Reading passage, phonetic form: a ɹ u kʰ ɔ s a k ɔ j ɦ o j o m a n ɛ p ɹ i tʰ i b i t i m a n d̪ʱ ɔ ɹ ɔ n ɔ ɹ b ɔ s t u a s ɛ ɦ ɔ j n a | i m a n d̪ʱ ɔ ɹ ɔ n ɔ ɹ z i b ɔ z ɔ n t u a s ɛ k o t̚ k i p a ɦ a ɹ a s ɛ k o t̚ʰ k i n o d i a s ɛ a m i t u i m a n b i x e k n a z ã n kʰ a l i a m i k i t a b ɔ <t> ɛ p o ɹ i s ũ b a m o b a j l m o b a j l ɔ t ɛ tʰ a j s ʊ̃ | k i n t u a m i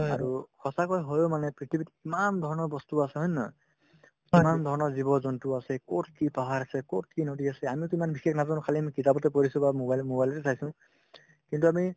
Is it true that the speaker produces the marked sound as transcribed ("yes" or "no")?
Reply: yes